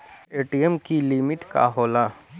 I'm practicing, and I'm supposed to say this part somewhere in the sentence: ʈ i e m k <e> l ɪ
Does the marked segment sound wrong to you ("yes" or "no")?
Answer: yes